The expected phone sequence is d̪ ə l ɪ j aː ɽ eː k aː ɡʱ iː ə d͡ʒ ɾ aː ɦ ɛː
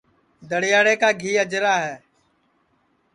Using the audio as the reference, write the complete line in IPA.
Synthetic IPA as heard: d̪ ə ɽ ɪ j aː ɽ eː k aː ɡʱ iː ə d͡ʒ ɾ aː ɦ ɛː